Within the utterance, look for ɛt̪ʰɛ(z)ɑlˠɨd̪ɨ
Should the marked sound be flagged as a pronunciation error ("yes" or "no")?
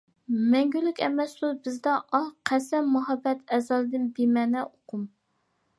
no